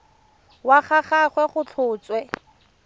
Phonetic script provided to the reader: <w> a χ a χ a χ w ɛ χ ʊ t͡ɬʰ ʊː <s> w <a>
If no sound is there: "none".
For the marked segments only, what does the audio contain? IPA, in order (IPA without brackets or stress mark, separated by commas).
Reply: w, t͡s, ɛ